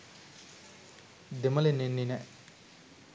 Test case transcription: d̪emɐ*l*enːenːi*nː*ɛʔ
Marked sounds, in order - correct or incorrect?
correct, incorrect

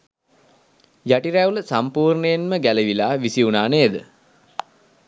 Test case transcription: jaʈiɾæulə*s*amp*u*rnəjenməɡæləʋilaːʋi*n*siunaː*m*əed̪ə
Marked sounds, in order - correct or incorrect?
correct, incorrect, incorrect, incorrect

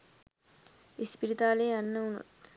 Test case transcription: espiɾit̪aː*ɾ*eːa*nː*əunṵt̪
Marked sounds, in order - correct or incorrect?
incorrect, correct

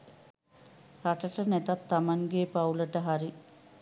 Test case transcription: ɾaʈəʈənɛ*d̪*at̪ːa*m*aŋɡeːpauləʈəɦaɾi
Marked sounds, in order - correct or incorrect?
incorrect, correct

